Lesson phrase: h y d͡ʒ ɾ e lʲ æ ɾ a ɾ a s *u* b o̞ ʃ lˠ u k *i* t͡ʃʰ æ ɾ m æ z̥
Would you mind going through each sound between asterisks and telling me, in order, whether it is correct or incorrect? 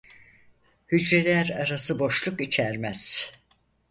incorrect, correct

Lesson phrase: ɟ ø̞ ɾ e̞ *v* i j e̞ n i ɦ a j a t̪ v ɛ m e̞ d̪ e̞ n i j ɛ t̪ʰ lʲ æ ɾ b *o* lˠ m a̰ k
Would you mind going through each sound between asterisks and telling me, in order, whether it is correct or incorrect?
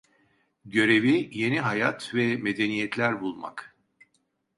correct, incorrect

